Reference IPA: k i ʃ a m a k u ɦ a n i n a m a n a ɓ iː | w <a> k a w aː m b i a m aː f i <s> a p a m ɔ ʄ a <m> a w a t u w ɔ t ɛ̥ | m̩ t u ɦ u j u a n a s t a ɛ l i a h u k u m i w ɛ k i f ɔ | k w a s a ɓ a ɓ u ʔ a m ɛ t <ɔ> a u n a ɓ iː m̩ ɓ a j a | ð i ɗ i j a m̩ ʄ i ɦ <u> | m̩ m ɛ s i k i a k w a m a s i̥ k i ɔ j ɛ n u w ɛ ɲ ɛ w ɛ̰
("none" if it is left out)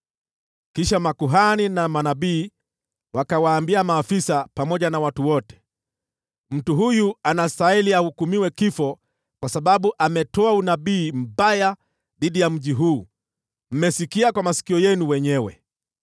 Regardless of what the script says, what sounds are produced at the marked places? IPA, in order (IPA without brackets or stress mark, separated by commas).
a, s, n, ɔ, uː